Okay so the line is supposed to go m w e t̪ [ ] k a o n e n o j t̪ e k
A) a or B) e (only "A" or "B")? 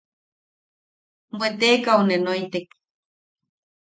B